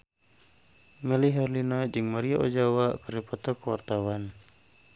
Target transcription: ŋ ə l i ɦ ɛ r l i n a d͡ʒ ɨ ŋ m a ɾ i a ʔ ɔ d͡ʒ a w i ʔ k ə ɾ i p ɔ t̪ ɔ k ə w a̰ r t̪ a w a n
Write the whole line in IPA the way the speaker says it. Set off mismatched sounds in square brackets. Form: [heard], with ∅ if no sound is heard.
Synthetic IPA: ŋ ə l i ɦ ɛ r l i n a d͡ʒ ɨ ŋ m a ɾ i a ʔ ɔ d͡ʒ a w [a] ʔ k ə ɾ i p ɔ t̪ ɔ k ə w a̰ r t̪ a w a n